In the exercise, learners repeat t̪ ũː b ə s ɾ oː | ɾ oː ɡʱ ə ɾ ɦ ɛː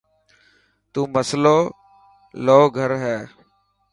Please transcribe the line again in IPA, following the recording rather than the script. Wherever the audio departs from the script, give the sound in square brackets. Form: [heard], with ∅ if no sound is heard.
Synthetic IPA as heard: t̪ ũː [m] ə s [l] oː | [l] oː ɡʱ ə ɾ ɦ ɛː

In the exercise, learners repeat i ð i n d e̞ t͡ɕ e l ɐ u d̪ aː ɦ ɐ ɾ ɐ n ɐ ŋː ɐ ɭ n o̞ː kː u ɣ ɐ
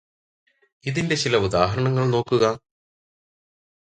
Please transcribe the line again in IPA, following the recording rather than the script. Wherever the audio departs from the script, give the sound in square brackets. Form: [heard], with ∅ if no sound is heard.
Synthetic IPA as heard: i ð i n d e̞ t͡ɕ [i] l ɐ u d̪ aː ɦ ɐ ɾ ɐ [ɳ] ɐ ŋː ɐ ɭ n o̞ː kː u ɣ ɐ

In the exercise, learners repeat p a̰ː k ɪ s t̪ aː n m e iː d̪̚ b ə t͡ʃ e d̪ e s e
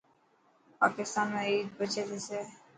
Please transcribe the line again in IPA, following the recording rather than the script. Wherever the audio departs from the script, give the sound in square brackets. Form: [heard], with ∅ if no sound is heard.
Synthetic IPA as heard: p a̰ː k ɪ s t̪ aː n m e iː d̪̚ b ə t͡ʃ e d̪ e s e

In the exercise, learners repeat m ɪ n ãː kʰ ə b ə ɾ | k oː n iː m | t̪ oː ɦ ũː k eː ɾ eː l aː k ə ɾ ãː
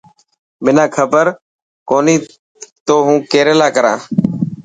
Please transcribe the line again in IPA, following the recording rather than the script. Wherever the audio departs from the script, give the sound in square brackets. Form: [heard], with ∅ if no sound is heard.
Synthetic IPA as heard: m ɪ n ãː kʰ ə b ə ɾ | k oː n iː [∅] | t̪ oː ɦ ũː k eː ɾ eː l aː k ə ɾ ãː

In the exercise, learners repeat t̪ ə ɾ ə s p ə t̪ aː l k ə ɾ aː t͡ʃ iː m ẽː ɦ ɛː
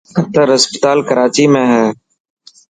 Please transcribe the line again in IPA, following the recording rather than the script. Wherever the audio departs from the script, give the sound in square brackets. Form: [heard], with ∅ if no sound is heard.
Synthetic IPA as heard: t̪ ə ɾ ə s p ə t̪ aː l k ə ɾ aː t͡ʃ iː m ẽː ɦ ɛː

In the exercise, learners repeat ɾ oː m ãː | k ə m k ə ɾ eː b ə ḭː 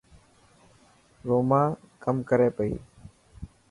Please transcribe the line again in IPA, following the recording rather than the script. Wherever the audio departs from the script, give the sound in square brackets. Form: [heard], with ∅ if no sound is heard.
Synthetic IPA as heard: ɾ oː m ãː | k ə m k ə ɾ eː [p] ə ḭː

